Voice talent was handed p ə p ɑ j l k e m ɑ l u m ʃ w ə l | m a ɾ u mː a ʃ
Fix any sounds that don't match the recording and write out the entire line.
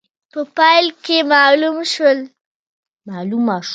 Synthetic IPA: p ə p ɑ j l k e m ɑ l u m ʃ w ə l | m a l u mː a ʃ